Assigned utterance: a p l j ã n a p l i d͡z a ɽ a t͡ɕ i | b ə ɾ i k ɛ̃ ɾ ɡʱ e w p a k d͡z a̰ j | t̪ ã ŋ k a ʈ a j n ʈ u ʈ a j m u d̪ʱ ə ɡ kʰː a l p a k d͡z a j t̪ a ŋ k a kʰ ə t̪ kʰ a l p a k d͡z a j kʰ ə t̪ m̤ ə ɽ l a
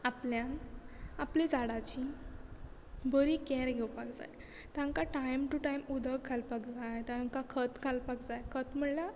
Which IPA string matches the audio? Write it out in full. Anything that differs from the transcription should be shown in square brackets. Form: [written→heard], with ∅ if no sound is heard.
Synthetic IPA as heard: a p l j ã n a p l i d͡z a ɽ a t͡ɕ i | b ə ɾ i k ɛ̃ ɾ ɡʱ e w p a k d͡z a̰ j | t̪ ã ŋ k a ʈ a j [n→m] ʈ u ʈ a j m u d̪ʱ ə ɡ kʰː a l p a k d͡z a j t̪ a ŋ k a kʰ ə t̪ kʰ a l p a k d͡z a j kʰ ə t̪ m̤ ə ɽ l a